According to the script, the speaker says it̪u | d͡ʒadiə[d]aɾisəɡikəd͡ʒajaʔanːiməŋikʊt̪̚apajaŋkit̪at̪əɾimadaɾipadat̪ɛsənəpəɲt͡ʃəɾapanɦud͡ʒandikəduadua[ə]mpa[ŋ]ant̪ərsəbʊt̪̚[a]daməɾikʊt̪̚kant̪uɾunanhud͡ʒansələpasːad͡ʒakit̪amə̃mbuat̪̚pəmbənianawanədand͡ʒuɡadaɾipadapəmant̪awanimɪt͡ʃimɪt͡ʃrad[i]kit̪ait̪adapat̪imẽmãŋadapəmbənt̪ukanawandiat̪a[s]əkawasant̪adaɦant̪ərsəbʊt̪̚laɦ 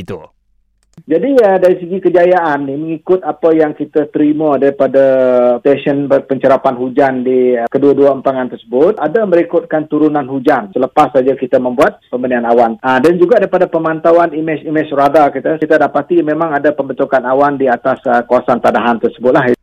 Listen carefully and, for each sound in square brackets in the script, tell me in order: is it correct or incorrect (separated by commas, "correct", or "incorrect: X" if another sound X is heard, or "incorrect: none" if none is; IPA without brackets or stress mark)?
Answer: correct, correct, correct, correct, incorrect: a, correct